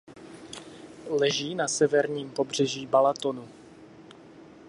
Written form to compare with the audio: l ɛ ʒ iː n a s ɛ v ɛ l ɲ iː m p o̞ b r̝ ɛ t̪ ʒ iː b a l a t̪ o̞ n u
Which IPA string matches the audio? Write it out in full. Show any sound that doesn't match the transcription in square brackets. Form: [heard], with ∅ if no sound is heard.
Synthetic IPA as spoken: l ɛ ʒ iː n a s ɛ v ɛ [ɾ] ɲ iː m p o̞ b r̝ ɛ [∅] ʒ iː b a l a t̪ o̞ n u